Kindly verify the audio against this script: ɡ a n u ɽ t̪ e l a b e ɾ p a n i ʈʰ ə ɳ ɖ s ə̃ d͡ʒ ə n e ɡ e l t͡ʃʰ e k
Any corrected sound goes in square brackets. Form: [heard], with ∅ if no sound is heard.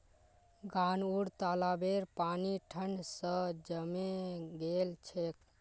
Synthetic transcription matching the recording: ɡ a n u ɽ t̪ [a] l a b e ɾ p a n i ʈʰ ə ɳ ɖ s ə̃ d͡ʒ ə [m] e ɡ e l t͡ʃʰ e k

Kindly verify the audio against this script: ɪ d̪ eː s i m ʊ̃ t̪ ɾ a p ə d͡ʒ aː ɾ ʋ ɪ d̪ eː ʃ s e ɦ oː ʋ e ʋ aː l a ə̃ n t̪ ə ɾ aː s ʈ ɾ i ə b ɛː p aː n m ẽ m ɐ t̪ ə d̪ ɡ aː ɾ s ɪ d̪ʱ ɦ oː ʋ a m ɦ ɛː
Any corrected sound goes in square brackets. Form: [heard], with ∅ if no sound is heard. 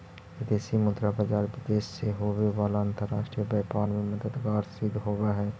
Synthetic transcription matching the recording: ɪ d̪ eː s i m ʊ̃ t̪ ɾ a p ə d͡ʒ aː ɾ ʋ ɪ d̪ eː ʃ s e ɦ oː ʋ e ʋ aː l a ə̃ n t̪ ə ɾ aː [ʃ] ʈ ɾ i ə b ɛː p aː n m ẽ m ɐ [d̪] ə d̪ ɡ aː ɾ s ɪ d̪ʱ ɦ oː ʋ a [∅] ɦ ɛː

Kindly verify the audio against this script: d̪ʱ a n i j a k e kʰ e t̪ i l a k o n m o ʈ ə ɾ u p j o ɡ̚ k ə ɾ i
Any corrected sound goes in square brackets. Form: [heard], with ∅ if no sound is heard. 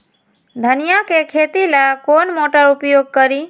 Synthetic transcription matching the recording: d̪ʱ [ə] n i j a k e kʰ e t̪ i l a k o n m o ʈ ə ɾ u p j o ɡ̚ k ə ɾ i

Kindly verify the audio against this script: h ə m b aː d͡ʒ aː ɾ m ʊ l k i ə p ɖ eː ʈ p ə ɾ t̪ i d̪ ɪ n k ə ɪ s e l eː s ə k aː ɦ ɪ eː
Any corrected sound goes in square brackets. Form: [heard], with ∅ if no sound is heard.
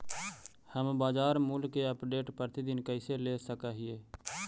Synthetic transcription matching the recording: h ə m b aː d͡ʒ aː ɾ m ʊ l k [e] ə p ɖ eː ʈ p ə ɾ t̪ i d̪ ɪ n k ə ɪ s e l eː s ə k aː ɦ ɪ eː

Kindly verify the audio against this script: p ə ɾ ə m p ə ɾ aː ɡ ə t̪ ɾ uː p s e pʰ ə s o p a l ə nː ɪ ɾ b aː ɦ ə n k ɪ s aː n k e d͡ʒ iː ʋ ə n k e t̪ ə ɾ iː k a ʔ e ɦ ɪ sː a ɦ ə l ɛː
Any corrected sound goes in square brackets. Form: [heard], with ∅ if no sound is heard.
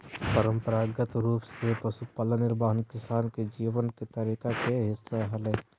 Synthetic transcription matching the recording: p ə ɾ ə m p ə ɾ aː ɡ ə t̪ ɾ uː p s e [p] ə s [u] p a l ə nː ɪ ɾ b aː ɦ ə n k ɪ s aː n k e d͡ʒ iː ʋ ə n k e t̪ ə ɾ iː k a [k] e ɦ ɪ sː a ɦ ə l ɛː

